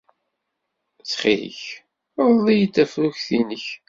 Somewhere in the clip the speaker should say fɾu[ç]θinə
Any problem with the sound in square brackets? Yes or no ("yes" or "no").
no